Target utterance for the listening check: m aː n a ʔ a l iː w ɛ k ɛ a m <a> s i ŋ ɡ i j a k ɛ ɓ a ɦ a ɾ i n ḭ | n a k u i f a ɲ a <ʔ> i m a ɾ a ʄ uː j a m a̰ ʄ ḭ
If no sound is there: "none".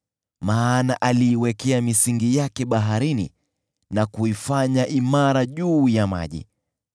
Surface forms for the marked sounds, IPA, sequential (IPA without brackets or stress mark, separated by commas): i, ʔ